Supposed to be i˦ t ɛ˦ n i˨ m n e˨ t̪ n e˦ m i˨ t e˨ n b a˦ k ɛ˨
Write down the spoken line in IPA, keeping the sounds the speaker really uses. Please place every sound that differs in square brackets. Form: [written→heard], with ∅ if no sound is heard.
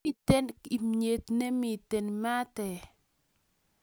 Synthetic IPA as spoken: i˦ t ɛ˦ n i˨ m [n→ɲ] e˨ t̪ n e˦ m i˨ t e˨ n [b→m] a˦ [k→t] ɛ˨